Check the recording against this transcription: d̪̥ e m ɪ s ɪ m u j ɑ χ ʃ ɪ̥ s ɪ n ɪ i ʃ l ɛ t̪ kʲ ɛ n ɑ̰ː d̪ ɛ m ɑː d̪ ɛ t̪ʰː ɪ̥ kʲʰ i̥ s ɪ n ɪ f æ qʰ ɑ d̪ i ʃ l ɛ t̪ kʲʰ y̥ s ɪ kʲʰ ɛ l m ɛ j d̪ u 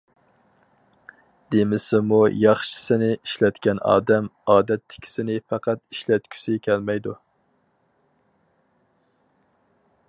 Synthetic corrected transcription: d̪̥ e m ɪ s ɪ m u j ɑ χ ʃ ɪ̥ s ɪ n ɪ i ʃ l ɛ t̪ kʲ ɛ n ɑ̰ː d̪ ɛ m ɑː d̪ ɛ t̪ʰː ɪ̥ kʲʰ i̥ s ɪ n ɪ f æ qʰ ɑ t̪ i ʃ l ɛ t̪ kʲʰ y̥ s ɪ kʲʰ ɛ l m ɛ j d̪ u

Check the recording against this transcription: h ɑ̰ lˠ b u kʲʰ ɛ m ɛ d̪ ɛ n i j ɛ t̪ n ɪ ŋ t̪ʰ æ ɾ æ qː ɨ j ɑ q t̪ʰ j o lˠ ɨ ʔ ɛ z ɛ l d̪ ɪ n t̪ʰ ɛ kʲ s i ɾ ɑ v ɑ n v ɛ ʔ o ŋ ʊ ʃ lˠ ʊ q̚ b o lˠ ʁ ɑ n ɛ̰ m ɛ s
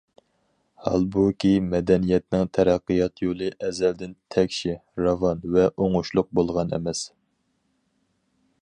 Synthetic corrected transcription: h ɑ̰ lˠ b u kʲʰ i m ɛ d̪ ɛ n i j ɛ t̪ n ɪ ŋ t̪ʰ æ ɾ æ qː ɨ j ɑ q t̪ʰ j o lˠ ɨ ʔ ɛ z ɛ l d̪ ɪ n t̪ʰ ɛ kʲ ʃ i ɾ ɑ v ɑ n v ɛ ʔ o ŋ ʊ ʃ lˠ ʊ q̚ b o lˠ ʁ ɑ n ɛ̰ m ɛ s

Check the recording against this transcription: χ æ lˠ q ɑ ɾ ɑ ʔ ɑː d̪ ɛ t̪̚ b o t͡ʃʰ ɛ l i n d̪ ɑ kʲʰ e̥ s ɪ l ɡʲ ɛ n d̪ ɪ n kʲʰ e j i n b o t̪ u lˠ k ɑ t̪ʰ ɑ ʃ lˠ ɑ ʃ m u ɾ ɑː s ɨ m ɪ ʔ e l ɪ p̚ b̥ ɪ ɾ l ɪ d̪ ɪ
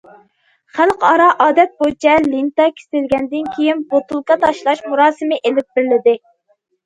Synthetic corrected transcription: χ æ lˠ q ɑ ɾ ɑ ʔ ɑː d̪ ɛ t̪̚ b o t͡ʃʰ ɛ l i n t̪ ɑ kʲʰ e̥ s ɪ l ɡʲ ɛ n d̪ ɪ n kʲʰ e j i n b o t̪ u lˠ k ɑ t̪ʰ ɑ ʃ lˠ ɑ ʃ m u ɾ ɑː s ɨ m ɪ ʔ e l ɪ p̚ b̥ ɪ ɾ l ɪ d̪ ɪ

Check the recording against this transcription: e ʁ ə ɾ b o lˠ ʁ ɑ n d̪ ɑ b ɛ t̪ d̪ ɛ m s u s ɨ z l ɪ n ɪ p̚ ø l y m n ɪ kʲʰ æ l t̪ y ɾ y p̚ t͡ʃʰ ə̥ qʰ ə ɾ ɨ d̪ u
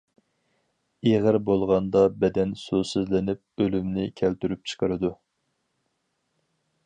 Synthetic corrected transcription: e ʁ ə ɾ b o lˠ ʁ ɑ n d̪ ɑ b ɛ d̪ ɛ n s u s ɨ z l ɪ n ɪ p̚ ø l y m n ɪ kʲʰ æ l t̪ y ɾ y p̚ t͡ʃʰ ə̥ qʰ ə ɾ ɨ d̪ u

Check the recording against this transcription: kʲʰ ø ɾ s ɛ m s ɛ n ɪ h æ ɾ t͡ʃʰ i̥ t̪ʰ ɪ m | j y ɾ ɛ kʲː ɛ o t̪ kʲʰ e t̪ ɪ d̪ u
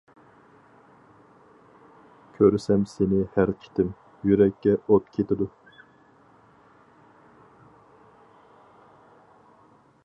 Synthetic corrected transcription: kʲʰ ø ɾ s ɛ m s e n ɪ h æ ɾ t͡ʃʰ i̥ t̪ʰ ɪ m | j y ɾ ɛ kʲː ɛ o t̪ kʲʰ e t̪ ɪ d̪ u

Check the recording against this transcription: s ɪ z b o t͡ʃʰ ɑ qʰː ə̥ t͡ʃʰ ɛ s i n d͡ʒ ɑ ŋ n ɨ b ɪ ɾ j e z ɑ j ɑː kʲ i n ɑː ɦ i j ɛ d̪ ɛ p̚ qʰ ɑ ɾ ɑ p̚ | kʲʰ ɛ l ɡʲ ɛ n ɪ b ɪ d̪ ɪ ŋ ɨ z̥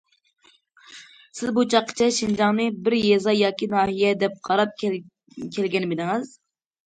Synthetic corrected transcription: s ɪ z b u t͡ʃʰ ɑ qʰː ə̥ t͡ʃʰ ɛ ʃ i n d͡ʒ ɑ ŋ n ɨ b ɪ ɾ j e z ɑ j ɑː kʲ i n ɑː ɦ i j ɛ d̪ ɛ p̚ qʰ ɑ ɾ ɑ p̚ | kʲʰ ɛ l ɡʲ ɛ n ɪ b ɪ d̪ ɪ ŋ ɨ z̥

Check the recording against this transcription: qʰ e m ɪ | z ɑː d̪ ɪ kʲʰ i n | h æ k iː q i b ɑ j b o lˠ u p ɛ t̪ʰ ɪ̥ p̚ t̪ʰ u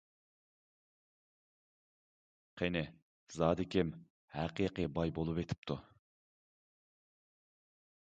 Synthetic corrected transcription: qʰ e n ɪ | z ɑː d̪ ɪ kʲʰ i m | h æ q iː q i b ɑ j b o lˠ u p e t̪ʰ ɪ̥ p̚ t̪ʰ u

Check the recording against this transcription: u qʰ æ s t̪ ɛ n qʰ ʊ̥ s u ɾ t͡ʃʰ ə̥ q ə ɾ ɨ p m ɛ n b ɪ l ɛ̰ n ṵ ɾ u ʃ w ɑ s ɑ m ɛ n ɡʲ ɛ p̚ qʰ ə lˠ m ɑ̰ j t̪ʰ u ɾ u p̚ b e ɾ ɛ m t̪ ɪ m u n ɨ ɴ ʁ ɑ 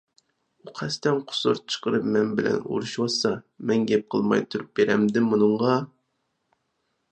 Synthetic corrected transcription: u qʰ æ s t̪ ɛ n qʰ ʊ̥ s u ɾ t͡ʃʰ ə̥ q ə ɾ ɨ p m ɛ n b ɪ l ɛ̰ n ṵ ɾ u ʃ w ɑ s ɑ m ɛ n ɡʲ ɛ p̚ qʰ ə lˠ m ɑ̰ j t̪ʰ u ɾ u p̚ b e ɾ ɛ m d̪ ɪ m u n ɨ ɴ ʁ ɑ

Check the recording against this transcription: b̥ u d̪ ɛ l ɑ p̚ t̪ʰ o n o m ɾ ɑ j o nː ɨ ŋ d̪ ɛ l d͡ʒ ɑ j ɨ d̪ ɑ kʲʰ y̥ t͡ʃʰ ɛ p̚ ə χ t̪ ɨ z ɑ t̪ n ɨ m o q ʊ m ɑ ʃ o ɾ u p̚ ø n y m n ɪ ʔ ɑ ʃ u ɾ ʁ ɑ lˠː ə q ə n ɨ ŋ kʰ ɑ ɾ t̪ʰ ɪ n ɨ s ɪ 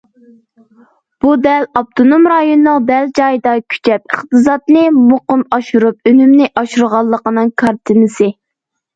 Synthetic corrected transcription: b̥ u d̪ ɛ l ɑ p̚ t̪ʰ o n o m ɾ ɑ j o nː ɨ ŋ d̪ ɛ l d͡ʒ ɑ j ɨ d̪ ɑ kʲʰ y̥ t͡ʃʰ ɛ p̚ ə χ t̪ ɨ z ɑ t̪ n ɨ m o q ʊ m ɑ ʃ u ɾ u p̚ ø n y m n ɪ ʔ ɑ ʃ u ɾ ʁ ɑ lˠː ə q ə n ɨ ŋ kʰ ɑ ɾ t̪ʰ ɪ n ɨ s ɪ

